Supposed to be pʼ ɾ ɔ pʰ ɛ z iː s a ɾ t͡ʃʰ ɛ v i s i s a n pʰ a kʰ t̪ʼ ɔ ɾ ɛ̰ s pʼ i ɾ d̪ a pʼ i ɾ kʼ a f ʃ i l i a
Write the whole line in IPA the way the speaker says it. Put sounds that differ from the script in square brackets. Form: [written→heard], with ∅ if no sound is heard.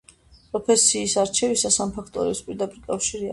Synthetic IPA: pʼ ɾ ɔ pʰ ɛ [z→s] iː s a ɾ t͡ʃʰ ɛ v i s [i→a] s a [n→m] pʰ a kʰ t̪ʼ ɔ ɾ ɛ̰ s pʼ i ɾ d̪ a pʼ i ɾ kʼ a f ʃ i [l→ɾ] i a